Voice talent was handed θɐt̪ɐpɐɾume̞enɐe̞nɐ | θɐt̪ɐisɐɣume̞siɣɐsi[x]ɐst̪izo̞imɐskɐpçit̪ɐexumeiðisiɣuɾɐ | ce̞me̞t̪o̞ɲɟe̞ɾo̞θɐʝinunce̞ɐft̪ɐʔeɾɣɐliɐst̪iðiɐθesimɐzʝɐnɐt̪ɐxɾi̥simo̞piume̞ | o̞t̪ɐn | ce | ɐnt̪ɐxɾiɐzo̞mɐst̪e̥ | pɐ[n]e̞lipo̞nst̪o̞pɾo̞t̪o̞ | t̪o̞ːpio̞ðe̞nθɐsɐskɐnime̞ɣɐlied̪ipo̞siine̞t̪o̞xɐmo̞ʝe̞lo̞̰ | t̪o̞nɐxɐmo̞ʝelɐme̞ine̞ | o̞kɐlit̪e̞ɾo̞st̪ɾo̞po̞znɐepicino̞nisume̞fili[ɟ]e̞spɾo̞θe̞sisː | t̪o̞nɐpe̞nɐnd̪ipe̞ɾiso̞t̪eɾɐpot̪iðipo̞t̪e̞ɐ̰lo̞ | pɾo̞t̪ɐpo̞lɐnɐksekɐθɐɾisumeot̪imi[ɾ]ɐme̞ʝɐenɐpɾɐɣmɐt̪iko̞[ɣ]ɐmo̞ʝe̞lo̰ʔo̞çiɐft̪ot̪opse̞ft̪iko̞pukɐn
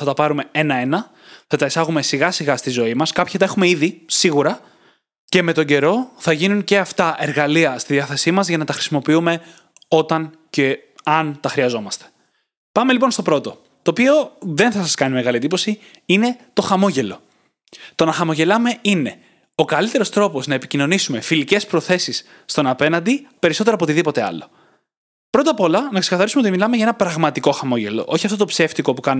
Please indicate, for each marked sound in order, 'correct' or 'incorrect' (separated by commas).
incorrect, incorrect, incorrect, incorrect, incorrect